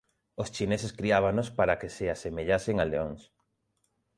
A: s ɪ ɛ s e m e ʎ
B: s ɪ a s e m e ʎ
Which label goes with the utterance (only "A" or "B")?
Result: B